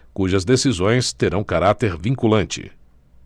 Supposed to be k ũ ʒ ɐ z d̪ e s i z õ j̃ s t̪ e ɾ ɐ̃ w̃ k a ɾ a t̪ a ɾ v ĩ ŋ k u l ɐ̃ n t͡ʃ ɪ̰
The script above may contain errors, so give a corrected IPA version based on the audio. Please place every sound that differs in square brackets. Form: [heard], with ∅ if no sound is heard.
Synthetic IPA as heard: k [u] ʒ ɐ z d̪ e s i z õ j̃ s t̪ e ɾ ɐ̃ w̃ k a ɾ a t̪ [e] ɾ v ĩ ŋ k u l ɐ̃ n t͡ʃ ɪ̰